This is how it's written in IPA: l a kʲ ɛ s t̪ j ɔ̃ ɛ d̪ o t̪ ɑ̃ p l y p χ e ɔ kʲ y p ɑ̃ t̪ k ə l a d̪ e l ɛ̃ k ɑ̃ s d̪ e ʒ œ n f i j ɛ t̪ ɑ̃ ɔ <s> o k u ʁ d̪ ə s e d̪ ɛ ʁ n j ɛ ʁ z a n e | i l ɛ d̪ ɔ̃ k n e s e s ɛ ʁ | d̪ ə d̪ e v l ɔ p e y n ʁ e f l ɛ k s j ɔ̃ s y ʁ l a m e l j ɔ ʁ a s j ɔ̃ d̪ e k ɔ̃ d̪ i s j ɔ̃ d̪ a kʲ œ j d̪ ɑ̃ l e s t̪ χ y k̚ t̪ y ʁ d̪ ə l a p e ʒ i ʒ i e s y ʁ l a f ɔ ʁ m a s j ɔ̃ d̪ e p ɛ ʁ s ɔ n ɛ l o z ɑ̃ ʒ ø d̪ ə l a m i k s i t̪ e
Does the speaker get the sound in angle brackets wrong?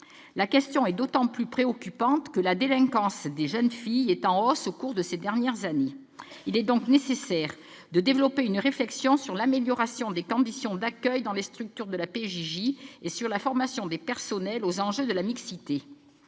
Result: no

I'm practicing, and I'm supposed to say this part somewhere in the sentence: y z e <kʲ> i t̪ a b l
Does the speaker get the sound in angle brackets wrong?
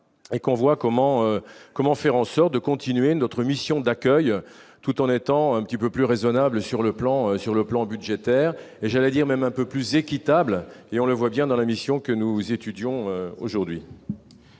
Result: no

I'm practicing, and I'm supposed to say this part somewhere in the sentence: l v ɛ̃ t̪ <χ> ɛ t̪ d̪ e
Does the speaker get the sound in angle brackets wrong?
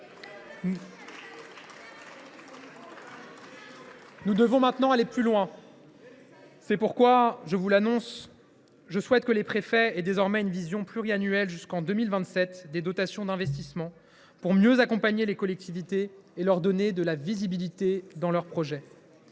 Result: yes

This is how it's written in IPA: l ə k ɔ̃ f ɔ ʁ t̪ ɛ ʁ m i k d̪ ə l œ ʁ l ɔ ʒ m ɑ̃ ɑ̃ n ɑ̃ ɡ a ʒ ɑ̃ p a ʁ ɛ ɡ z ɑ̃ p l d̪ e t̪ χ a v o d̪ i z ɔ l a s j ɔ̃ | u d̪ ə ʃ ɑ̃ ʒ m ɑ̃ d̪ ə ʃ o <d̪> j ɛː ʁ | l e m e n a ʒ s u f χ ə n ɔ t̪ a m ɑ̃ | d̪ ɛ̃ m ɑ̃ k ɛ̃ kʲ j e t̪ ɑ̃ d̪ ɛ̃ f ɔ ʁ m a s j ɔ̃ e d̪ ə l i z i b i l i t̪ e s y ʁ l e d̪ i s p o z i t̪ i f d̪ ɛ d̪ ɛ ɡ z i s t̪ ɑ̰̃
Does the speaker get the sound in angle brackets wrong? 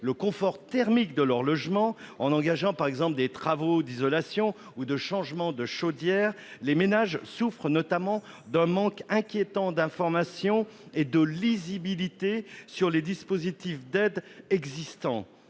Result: no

